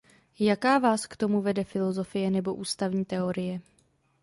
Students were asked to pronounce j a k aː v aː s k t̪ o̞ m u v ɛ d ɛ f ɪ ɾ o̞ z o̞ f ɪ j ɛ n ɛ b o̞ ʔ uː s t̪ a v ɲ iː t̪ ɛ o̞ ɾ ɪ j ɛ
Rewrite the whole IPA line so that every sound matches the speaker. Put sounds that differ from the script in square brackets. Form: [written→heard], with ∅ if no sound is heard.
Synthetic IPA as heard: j a k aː v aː s k t̪ o̞ m u v ɛ d ɛ f ɪ [ɾ→l] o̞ z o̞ f ɪ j ɛ n ɛ b o̞ ʔ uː s t̪ a v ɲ iː t̪ ɛ o̞ ɾ ɪ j ɛ